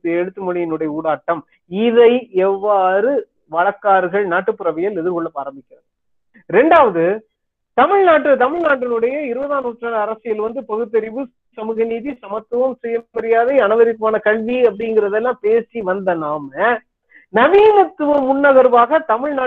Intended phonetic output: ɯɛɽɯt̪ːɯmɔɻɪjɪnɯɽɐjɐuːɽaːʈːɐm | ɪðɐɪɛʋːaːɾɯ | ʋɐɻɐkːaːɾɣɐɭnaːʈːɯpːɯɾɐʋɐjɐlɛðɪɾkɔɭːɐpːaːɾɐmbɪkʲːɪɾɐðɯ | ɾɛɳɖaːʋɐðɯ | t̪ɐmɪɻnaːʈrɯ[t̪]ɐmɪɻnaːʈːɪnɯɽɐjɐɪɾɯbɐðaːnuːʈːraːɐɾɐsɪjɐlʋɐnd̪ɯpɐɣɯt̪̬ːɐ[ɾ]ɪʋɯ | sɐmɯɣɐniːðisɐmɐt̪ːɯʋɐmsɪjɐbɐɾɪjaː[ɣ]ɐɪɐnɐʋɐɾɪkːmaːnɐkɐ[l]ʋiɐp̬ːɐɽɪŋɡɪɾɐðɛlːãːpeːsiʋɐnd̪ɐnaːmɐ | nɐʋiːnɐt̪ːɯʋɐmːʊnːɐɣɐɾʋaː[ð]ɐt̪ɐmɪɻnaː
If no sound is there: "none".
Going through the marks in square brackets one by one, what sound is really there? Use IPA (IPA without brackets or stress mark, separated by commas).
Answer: t̪, ɾ, ð, ɭ, ɣ